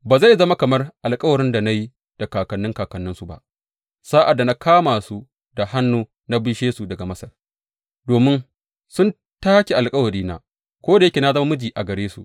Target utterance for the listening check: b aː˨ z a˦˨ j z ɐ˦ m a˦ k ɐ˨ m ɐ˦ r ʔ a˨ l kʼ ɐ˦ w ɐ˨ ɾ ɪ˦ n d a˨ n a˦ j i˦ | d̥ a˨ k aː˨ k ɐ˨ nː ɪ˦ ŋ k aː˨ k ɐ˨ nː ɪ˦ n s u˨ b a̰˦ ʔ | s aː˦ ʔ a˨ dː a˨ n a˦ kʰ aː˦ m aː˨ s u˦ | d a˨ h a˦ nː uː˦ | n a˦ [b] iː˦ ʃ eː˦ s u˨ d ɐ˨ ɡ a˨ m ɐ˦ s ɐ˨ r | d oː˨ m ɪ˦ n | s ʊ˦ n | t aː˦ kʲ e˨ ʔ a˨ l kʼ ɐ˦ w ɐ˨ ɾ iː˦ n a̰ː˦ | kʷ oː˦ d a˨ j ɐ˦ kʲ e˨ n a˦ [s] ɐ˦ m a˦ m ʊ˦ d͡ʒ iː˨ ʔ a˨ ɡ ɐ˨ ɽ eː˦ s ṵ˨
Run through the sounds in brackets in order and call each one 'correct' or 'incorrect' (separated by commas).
correct, incorrect